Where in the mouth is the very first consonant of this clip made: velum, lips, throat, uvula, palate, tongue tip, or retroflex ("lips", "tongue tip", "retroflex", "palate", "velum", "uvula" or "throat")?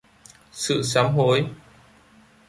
tongue tip